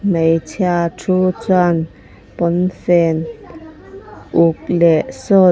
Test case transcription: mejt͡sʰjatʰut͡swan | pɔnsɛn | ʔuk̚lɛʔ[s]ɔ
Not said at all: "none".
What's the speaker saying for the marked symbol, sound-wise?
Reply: s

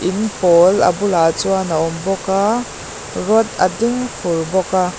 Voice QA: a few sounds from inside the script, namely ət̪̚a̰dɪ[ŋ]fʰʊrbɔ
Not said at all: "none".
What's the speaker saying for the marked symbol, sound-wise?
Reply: ŋ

